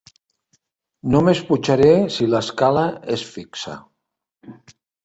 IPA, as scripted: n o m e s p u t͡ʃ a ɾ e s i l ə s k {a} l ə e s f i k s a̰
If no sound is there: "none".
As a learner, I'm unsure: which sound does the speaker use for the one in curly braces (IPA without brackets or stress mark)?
a